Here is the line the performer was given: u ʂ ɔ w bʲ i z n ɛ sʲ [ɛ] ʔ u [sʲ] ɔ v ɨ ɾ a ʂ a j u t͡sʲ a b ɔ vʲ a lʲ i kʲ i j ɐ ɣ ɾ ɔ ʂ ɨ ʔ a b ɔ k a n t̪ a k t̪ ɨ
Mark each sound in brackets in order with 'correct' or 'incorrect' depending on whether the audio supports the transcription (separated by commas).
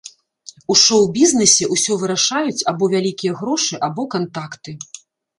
correct, correct